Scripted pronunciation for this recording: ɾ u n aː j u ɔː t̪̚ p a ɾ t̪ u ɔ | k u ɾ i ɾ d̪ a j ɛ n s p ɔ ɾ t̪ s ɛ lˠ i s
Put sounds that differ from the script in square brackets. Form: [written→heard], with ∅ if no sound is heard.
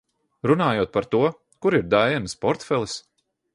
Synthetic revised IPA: ɾ u n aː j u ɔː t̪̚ p a ɾ t̪ u ɔ | k u ɾ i ɾ d̪ a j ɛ n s p ɔ ɾ t̪ [s→f] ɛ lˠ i s